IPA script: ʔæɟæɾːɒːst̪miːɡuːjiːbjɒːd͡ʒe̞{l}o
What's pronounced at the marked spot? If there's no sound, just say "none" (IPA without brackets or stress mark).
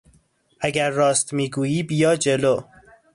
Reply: l